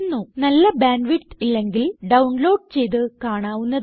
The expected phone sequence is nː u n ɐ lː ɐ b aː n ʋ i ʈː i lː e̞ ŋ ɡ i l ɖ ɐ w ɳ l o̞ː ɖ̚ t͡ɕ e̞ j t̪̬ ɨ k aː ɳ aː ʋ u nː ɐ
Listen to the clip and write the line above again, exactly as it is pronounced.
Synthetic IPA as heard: nː u n ɐ lː ɐ b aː n ʋ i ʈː i lː e̞ ŋ ɡ i l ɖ ɐ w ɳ l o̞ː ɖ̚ t͡ɕ e̞ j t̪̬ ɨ k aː ɳ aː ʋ u nː ɐ